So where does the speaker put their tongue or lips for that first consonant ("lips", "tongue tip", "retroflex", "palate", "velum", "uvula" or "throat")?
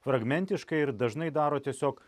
lips